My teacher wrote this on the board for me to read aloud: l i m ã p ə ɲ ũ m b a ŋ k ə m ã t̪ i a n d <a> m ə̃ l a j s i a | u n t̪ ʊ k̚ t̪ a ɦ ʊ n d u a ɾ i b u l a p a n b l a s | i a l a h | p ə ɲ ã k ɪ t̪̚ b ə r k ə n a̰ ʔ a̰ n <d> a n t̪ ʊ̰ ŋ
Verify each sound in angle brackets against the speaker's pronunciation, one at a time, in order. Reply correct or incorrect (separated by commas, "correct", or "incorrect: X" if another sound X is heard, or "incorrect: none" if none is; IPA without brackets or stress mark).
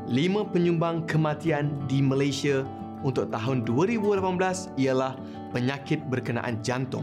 incorrect: i, incorrect: d͡ʒ